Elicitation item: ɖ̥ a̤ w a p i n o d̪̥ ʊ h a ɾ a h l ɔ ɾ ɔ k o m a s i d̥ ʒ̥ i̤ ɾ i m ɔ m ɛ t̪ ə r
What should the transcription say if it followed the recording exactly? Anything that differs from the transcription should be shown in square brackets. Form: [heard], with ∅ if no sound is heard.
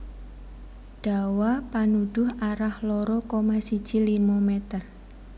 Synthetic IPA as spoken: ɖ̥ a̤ w a p [a] n [u] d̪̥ ʊ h a ɾ a h l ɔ ɾ ɔ k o m a s i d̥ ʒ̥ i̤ [l] i m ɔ m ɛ t̪ ə r